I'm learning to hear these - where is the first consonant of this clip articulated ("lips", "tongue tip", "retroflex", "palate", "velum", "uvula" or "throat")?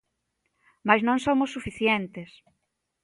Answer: lips